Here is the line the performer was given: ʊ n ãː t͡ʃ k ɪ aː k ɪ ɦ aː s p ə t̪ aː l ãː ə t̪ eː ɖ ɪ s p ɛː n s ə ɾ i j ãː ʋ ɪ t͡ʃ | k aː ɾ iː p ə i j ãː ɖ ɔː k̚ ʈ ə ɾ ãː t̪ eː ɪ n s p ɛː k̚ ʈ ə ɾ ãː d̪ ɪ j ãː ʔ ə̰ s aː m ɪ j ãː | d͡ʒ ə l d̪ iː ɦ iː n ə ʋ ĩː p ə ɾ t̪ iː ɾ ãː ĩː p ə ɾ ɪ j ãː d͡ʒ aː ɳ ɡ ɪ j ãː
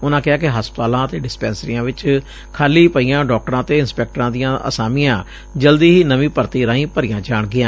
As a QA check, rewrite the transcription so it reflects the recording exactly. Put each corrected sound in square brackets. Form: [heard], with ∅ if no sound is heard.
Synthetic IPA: ʊ n ãː [∅] k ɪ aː k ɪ ɦ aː s p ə t̪ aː l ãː ə t̪ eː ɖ ɪ s p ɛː n s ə ɾ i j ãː ʋ ɪ t͡ʃ | [kʰ] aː [l] iː p ə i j ãː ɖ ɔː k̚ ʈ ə ɾ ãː t̪ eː ɪ n s p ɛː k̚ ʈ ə ɾ ãː d̪ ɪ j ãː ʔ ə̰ s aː m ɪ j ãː | d͡ʒ ə l d̪ iː ɦ iː n ə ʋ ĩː p ə ɾ t̪ iː ɾ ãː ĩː p ə ɾ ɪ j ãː d͡ʒ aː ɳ ɡ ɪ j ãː